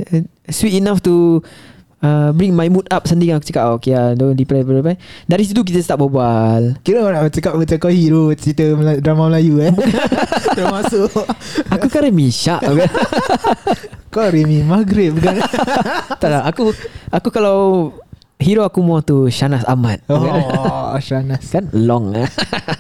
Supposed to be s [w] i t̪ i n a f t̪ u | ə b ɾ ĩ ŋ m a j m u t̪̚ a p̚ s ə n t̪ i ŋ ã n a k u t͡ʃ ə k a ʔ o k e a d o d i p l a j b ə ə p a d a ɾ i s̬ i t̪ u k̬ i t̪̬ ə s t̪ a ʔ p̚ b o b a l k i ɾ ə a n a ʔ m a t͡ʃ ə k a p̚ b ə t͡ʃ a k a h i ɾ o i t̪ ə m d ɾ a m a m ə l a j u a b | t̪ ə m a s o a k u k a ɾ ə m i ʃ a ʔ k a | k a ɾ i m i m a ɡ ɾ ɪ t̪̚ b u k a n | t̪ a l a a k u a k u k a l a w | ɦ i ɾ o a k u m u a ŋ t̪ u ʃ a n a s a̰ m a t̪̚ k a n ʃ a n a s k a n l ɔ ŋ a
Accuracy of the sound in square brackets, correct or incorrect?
correct